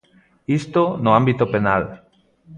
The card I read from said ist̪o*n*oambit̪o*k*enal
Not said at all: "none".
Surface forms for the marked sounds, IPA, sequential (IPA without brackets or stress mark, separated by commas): n, p